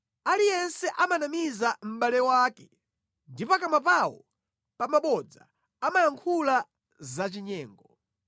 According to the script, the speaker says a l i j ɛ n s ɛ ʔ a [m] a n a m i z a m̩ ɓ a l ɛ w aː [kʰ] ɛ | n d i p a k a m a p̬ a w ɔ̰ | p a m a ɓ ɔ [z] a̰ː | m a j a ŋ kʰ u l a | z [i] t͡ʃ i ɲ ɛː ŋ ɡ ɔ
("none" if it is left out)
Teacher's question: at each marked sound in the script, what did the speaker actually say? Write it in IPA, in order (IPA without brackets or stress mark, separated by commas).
m, k, d͡z, a